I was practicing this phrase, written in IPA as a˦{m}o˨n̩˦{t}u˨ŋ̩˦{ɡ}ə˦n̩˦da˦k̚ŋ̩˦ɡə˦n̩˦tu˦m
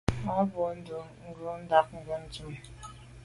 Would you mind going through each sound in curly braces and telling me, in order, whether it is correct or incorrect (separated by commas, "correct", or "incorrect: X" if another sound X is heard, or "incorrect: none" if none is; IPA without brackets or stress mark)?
incorrect: b, incorrect: d, correct